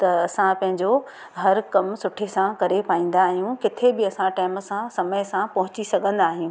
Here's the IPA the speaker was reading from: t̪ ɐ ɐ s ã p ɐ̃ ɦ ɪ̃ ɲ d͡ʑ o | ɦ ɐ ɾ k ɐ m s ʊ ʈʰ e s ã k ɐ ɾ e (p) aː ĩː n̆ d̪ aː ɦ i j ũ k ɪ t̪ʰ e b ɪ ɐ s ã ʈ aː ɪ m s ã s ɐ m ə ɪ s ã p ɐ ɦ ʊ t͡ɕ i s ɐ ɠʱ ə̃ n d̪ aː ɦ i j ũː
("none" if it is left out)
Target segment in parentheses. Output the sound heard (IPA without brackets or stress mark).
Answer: p